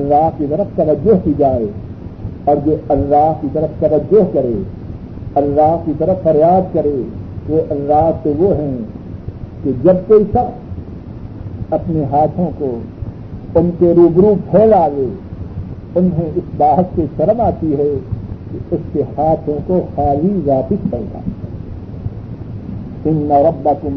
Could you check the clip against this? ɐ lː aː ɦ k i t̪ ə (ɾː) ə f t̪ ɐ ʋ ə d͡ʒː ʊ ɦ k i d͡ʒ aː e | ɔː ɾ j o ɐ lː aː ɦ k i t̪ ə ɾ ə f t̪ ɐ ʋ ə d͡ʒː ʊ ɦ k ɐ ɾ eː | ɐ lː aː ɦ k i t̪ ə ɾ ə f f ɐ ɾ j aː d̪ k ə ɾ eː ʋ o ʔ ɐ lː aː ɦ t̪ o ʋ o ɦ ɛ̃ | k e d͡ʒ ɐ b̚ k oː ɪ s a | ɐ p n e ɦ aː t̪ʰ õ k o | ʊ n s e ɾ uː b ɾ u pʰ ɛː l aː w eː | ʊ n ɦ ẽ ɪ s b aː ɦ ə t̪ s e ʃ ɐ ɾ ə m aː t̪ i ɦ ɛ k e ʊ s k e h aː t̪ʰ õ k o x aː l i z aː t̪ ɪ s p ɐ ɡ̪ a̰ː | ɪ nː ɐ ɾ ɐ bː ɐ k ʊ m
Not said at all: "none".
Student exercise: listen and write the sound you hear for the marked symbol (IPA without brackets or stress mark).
ɾ